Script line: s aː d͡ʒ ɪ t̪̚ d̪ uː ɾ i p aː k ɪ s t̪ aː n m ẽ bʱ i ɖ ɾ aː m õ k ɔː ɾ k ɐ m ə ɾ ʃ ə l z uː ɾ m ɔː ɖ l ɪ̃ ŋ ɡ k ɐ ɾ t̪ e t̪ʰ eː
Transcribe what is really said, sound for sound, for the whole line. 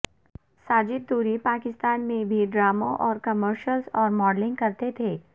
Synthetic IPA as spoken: s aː d͡ʒ ɪ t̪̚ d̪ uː ɾ i p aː k ɪ s t̪ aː n m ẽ bʱ i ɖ ɾ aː m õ ʔ ɔː ɾ k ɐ m ə ɾ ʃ ə l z ɔː ɾ m ɔː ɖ l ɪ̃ ŋ ɡ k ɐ ɾ t̪ e t̪ʰ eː